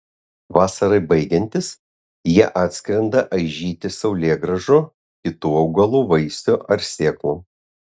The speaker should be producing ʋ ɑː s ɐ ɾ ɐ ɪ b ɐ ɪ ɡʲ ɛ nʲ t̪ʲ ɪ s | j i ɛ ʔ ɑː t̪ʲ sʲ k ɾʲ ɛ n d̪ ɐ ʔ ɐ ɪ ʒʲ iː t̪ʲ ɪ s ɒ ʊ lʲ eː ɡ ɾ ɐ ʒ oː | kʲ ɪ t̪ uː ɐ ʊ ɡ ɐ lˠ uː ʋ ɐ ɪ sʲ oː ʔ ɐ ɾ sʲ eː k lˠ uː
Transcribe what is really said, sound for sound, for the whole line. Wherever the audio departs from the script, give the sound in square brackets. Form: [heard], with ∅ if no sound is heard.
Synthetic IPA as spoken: ʋ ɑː s ɐ ɾ ɐ ɪ b ɐ ɪ ɡʲ ɛ nʲ t̪ʲ ɪ s | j i ɛ ʔ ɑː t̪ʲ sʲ k ɾʲ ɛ n d̪ ɐ ʔ ɐ ɪ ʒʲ iː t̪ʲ ɪ s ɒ ʊ lʲ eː ɡ ɾ ɐ ʒ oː | kʲ ɪ t̪ uː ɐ ʊ ɡ ɐ lˠ uː ʋ ɐ ɪ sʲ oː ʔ ɐ ɾ sʲ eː k lˠ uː